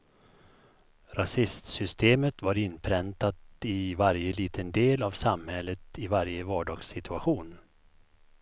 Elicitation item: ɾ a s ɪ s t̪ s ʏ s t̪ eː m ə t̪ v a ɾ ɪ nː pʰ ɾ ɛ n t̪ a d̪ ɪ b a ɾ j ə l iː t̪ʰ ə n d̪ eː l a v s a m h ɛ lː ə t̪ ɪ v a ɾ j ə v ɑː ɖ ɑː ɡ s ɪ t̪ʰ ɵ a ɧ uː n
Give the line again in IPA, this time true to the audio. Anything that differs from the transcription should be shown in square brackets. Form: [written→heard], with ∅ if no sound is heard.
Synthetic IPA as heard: ɾ a s ɪ s t̪ s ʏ s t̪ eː m ə t̪ v a ɾ ɪ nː pʰ ɾ ɛ n t̪ a [d̪→t̪] ɪ [b→v] a ɾ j ə l iː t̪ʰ ə n d̪ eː l a v s a m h ɛ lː ə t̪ ɪ v a ɾ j ə v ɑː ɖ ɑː ɡ s ɪ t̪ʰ ɵ a ɧ uː n

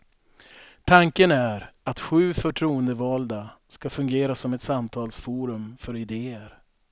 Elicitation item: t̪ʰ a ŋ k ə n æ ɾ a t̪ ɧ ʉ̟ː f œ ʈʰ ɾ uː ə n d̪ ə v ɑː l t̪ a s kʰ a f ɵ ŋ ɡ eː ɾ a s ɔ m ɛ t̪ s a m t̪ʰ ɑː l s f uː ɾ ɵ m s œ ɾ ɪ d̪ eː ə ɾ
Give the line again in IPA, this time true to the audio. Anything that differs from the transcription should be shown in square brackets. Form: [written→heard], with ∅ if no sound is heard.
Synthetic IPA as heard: t̪ʰ a ŋ k ə n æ ɾ a t̪ ɧ ʉ̟ː f œ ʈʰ ɾ uː ə n d̪ ə v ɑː l [t̪→d̪] a s [kʰ→k] a f ɵ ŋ ɡ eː ɾ a s ɔ m ɛ t̪ s a m t̪ʰ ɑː l s f uː ɾ ɵ m [s→f] œ ɾ ɪ d̪ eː ə ɾ

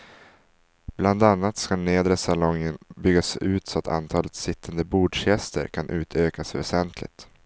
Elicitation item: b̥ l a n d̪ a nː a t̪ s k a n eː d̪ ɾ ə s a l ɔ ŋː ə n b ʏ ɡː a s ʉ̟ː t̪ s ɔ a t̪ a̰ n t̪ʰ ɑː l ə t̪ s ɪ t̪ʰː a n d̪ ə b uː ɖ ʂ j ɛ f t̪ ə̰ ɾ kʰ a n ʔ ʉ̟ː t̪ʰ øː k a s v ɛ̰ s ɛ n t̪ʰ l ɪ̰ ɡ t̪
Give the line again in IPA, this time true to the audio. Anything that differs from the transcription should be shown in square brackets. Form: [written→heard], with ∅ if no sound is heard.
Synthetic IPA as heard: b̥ l a n d̪ a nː a t̪ s k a n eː d̪ ɾ ə s a l ɔ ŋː ə n b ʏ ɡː a s ʉ̟ː t̪ s ɔ a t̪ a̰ n t̪ʰ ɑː l ə t̪ s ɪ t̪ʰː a n d̪ ə b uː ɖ ʂ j ɛ [f→s] t̪ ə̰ ɾ kʰ a n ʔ ʉ̟ː t̪ʰ øː k a s v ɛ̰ s ɛ n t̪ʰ l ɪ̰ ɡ t̪

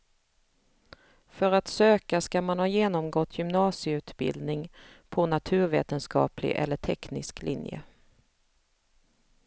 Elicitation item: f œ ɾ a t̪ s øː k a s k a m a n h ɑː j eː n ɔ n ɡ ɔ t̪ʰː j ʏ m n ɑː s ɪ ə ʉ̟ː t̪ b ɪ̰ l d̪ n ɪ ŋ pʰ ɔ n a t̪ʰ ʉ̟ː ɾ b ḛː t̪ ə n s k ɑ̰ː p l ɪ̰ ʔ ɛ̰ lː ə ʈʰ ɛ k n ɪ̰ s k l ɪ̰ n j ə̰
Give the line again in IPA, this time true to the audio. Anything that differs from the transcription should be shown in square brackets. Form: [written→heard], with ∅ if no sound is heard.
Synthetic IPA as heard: f œ ɾ a t̪ s øː k a s k a m a n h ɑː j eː n ɔ [n→m] ɡ ɔ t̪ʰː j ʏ m n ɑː s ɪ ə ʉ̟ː t̪ b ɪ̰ l d̪ n ɪ ŋ pʰ ɔ n a t̪ʰ ʉ̟ː ɾ [b→v] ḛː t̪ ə n s k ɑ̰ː p l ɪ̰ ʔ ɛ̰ lː ə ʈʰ ɛ k n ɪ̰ s k l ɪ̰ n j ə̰

